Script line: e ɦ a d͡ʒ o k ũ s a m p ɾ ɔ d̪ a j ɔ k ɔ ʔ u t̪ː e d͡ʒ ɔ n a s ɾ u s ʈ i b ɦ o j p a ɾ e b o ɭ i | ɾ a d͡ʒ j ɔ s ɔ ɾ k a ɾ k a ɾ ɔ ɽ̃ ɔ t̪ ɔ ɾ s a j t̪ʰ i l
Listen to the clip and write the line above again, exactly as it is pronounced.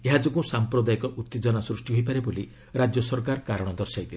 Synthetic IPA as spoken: e ɦ a d͡ʒ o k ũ s a m p ɾ ɔ d̪ a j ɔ k ɔ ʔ u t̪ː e d͡ʒ ɔ n a s ɾ u s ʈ i ɦ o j p a ɾ e b o l i | ɾ a d͡ʒ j ɔ s ɔ ɾ k a ɾ k a ɾ ɔ ɽ̃ ɔ d̪ ɔ ɾ s a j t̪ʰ i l